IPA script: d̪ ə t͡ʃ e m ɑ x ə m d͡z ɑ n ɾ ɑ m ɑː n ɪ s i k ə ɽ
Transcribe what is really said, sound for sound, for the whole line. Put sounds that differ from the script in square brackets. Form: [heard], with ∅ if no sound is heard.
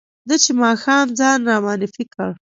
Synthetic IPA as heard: d̪ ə t͡ʃ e m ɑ x [ɑ] m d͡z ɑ n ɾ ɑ m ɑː n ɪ [f] i k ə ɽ